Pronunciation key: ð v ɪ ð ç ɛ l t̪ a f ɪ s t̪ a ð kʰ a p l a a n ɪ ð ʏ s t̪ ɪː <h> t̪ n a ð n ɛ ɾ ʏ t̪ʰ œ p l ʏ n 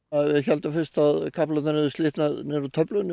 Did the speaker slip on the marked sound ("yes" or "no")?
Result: no